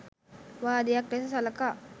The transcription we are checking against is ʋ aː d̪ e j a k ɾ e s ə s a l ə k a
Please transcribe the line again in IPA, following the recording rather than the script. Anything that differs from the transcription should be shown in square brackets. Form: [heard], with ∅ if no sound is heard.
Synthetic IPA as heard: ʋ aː d̪ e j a k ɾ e s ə s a l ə k a